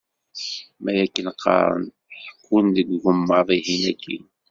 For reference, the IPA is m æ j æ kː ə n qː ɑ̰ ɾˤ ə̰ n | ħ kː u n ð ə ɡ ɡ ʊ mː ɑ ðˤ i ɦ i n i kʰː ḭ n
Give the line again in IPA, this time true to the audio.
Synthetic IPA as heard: m æ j æ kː ə n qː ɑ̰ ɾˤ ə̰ n | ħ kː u n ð ə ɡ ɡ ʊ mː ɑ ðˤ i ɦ i n æ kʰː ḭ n